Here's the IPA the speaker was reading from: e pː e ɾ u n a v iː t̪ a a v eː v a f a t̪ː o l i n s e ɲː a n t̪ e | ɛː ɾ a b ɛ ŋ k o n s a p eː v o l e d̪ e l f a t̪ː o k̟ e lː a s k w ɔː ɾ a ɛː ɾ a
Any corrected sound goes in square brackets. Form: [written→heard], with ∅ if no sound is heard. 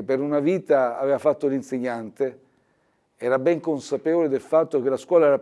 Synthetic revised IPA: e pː e ɾ u n a v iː t̪ a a v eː v a f a t̪ː o l i n s e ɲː a n t̪ e | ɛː ɾ a b ɛ ŋ k o n s a p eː v o l e d̪ e l f a t̪ː o k̟ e [lː→l] a s k w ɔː [ɾ→l] a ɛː ɾ a